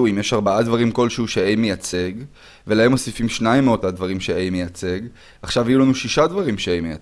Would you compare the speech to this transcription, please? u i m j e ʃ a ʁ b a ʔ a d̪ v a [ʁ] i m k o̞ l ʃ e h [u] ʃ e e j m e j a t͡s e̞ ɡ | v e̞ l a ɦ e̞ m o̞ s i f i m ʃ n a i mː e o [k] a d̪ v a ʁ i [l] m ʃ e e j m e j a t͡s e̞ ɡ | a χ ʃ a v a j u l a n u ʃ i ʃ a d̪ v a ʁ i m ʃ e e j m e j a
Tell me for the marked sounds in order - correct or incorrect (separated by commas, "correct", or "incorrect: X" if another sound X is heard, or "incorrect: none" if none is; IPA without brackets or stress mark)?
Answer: correct, correct, incorrect: t, incorrect: none